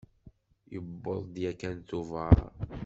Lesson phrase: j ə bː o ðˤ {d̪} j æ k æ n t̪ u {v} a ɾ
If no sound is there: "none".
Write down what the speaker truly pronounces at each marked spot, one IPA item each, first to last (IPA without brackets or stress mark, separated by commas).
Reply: d̪, v